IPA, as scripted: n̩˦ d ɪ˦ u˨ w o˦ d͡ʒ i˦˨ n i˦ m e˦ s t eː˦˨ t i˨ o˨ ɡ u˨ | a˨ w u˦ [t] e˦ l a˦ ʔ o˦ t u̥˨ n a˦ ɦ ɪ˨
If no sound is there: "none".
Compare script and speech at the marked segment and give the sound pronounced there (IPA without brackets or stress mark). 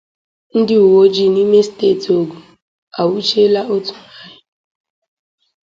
t͡ʃ